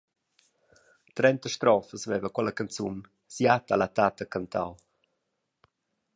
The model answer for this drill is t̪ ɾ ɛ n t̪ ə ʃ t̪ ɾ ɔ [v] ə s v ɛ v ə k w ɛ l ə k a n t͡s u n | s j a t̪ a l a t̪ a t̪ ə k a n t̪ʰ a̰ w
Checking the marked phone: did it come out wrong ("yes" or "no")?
yes